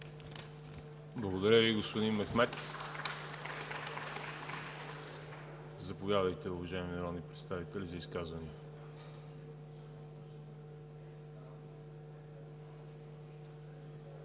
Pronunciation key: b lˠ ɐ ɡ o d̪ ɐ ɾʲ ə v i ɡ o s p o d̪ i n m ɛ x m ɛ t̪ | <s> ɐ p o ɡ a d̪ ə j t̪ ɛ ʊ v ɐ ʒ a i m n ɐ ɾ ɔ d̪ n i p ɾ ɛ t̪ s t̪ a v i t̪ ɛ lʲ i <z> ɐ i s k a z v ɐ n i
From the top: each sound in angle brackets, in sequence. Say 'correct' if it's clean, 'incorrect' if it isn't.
incorrect: z, correct

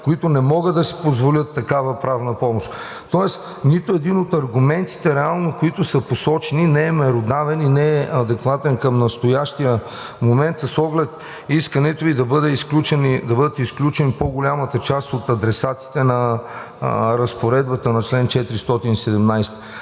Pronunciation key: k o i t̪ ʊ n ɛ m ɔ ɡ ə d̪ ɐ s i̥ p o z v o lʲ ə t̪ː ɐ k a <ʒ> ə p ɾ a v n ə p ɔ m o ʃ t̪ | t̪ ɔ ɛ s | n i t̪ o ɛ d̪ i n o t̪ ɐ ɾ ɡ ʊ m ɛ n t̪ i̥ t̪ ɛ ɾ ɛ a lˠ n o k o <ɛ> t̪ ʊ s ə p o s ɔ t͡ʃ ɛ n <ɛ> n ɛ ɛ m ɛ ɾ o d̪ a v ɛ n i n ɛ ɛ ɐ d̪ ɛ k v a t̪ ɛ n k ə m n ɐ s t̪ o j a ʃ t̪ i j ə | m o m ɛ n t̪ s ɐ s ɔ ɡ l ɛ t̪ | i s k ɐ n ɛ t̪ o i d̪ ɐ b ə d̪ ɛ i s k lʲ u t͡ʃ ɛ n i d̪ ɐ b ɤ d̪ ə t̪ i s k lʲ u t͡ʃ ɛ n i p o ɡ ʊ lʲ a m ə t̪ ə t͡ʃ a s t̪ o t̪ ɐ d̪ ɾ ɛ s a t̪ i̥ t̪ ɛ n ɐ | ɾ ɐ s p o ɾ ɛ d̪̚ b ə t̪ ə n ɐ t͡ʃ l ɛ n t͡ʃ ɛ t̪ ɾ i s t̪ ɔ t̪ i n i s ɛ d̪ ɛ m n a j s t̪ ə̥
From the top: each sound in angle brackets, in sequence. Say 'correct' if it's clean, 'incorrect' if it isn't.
incorrect: v, incorrect: i, incorrect: i

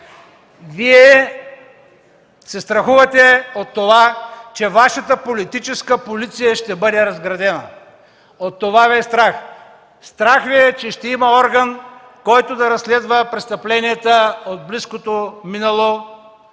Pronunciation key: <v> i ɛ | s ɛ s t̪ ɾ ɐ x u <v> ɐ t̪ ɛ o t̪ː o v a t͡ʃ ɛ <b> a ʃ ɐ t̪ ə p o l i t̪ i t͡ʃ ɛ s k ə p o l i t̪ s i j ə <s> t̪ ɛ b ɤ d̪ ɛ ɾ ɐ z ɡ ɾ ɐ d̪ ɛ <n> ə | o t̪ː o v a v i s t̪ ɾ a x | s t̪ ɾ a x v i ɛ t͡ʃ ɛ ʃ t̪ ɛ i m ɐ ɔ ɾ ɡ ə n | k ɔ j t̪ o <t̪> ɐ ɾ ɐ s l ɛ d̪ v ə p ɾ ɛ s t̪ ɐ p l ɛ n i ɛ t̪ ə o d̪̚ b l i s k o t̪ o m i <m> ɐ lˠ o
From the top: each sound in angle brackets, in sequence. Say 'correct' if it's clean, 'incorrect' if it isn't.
correct, correct, incorrect: v, incorrect: ʃ, correct, incorrect: d̪, incorrect: n

